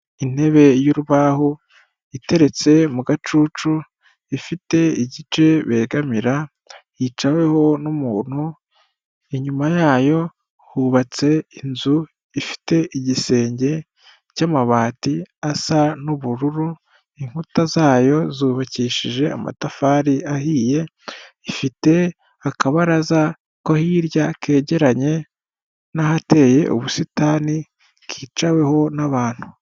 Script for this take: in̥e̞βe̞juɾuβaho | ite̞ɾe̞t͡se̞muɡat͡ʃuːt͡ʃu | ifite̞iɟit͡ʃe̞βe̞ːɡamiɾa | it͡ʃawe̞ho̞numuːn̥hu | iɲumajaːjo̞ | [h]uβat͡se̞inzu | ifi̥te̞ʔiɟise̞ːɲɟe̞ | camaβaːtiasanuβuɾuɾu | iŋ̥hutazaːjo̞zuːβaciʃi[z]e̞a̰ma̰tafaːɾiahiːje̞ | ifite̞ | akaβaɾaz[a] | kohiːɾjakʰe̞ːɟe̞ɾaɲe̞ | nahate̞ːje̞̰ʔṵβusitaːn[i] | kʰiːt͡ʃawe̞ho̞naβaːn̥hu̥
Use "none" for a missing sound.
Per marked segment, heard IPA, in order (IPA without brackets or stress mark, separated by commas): h, ʒ, a, i